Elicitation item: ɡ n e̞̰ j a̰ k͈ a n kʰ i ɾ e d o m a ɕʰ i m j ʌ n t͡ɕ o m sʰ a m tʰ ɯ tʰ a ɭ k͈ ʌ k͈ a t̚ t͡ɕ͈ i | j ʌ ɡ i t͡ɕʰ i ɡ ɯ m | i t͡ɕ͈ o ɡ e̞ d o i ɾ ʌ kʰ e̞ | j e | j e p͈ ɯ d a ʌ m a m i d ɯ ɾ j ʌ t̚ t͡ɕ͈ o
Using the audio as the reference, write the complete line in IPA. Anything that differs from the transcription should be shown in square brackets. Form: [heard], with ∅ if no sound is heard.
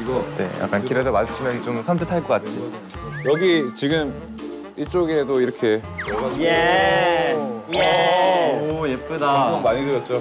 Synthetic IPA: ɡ n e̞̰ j a̰ k͈ a n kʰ i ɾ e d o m a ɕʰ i m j ʌ n t͡ɕ o m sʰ a m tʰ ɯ tʰ a ɭ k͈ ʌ k͈ a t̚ t͡ɕ͈ i | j ʌ ɡ i [t͡ɕ] i ɡ ɯ m | i t͡ɕ͈ o ɡ e̞ d o i ɾ ʌ kʰ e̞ | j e | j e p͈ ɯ d a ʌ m a [ɲ] i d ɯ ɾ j ʌ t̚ t͡ɕ͈ o